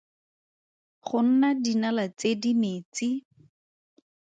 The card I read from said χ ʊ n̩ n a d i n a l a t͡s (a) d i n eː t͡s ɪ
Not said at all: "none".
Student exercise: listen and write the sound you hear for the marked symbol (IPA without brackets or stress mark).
e